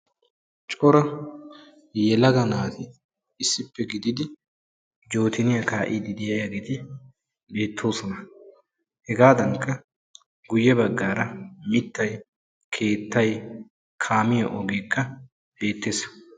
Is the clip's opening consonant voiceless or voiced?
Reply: voiceless